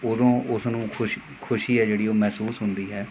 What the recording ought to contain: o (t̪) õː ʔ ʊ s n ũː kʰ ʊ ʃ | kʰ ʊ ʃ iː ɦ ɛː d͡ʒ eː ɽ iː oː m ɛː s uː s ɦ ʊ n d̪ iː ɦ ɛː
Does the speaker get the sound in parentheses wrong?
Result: yes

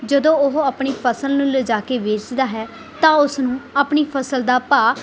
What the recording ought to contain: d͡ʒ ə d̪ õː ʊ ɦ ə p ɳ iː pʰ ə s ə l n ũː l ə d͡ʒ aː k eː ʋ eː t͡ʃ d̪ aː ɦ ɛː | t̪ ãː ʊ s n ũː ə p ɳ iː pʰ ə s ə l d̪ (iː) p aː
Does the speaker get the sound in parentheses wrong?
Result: yes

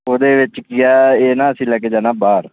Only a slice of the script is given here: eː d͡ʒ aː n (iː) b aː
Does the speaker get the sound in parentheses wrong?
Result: yes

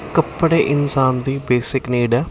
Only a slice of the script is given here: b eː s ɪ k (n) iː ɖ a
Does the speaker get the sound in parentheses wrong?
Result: no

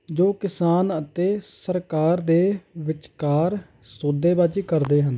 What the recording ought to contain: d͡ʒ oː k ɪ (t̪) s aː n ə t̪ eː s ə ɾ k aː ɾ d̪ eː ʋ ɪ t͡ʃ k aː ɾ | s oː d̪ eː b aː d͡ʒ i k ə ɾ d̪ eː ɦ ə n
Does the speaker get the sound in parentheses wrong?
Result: yes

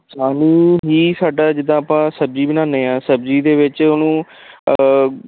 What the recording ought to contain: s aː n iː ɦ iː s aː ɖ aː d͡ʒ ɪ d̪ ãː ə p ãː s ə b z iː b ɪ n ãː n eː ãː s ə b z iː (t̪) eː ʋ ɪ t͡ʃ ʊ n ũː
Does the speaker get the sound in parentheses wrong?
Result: yes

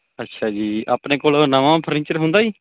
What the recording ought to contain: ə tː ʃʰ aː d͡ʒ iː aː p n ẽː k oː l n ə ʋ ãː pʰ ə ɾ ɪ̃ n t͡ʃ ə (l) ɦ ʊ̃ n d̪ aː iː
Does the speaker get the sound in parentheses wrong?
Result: yes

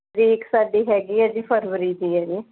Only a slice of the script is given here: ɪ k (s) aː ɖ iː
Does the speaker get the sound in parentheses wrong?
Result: no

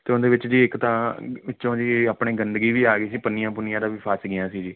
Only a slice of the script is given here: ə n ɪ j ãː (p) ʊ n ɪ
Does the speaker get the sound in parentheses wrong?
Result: no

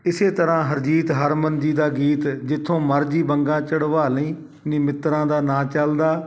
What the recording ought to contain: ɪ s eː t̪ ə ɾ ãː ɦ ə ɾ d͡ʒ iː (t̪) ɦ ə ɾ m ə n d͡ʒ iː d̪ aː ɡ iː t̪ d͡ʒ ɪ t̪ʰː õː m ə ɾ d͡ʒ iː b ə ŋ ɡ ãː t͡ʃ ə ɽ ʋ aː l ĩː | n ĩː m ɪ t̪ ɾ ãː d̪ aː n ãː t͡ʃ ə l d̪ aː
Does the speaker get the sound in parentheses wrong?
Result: no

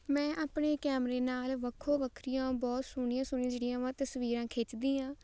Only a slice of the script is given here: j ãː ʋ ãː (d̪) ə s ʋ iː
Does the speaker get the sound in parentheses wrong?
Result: yes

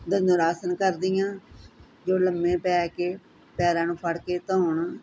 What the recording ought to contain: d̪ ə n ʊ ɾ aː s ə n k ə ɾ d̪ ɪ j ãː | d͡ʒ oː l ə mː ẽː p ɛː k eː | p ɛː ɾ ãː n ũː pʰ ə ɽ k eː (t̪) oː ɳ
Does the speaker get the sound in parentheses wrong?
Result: no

